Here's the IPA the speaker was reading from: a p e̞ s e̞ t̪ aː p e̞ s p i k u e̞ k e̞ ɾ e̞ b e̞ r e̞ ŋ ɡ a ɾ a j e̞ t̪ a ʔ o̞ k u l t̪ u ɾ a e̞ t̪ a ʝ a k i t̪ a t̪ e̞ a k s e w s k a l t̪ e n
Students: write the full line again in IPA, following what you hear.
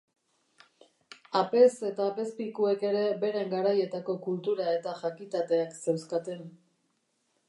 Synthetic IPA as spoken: a p e̞ s e̞ t̪ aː p e̞ s p i k u e̞ k e̞ ɾ e̞ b e̞ ɾ e̞ ŋ ɡ a ɾ a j e̞ t̪ a k o̞ k u l t̪ u ɾ a e̞ t̪ a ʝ a k i t̪ a t̪ e̞ a k s e w s k a t̪ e n